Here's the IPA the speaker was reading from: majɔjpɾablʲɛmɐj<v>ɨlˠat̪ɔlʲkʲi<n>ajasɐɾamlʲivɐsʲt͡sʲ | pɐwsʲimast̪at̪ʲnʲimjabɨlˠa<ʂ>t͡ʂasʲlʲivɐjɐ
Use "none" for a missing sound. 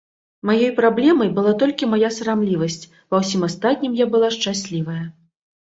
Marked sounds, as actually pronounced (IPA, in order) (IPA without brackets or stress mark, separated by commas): b, m, ʂ